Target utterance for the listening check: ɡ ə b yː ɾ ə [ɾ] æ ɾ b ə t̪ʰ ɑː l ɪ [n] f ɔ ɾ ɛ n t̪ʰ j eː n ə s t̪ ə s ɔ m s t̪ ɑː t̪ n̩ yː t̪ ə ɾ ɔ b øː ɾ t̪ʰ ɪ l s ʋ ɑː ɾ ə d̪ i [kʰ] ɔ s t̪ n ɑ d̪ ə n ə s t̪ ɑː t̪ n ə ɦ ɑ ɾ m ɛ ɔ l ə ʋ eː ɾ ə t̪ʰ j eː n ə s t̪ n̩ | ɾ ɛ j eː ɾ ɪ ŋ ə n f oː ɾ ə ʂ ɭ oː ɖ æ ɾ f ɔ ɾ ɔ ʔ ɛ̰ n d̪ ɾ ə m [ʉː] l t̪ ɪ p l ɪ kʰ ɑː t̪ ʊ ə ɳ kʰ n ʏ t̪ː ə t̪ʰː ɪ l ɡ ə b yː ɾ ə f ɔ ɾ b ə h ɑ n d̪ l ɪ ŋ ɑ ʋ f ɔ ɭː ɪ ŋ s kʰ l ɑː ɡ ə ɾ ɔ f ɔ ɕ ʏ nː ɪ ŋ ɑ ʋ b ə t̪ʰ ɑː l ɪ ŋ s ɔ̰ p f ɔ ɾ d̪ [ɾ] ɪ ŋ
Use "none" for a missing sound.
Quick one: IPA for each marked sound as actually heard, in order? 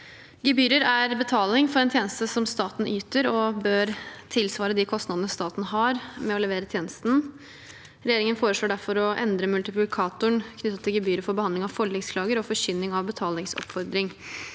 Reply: ɾ, ŋ, kʰ, ʉ, ɾ

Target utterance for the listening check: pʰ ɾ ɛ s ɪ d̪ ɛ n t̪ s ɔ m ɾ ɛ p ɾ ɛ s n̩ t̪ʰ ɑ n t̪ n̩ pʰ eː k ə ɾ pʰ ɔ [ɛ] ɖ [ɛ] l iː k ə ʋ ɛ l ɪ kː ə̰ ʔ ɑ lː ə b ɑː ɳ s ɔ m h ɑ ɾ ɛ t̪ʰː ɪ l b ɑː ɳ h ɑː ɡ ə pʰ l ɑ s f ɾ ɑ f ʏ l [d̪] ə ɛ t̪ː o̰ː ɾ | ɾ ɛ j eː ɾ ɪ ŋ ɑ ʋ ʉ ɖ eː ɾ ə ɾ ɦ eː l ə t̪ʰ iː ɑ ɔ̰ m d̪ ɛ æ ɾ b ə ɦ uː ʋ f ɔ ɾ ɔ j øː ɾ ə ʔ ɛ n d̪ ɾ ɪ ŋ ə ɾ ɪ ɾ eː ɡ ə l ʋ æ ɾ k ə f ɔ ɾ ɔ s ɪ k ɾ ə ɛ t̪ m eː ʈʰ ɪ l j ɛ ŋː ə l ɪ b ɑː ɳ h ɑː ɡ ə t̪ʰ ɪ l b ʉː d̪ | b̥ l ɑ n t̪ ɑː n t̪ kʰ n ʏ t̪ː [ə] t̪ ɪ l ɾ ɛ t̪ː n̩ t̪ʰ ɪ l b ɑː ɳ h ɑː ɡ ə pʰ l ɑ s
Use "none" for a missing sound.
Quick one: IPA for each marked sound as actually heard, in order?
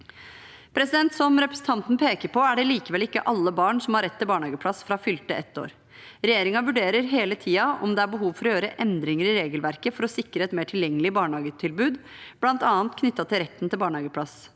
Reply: æ, ɛ, t̪, ɑ

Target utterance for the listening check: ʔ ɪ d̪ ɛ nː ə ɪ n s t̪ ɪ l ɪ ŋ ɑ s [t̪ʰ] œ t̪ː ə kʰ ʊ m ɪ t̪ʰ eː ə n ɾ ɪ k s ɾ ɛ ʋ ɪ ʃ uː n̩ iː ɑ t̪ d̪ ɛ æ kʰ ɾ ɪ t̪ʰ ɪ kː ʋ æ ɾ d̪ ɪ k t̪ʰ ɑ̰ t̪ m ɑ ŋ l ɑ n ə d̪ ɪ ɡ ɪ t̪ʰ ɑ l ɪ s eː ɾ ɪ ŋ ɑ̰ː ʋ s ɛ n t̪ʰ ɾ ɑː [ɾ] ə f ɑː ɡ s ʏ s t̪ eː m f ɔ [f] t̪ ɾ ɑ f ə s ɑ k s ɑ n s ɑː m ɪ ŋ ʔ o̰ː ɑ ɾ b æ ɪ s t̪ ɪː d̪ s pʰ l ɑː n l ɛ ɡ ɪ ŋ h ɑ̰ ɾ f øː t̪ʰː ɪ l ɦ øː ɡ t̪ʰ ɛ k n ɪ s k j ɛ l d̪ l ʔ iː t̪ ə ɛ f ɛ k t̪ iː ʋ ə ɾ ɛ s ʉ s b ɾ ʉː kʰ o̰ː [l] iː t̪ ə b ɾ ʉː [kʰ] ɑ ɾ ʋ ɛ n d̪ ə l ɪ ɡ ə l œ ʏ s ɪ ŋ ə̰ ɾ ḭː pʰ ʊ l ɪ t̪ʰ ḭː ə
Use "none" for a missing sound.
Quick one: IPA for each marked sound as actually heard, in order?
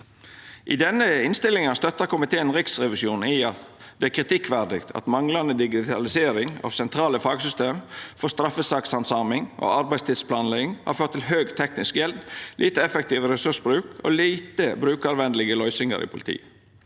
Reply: t̪, l, s, l, k

